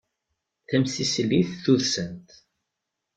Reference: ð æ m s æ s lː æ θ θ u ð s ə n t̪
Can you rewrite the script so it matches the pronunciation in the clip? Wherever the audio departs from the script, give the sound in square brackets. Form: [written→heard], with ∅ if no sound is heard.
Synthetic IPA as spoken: [ð→θ] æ m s [æ→i] s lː [æ→i] θ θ u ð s ə n t̪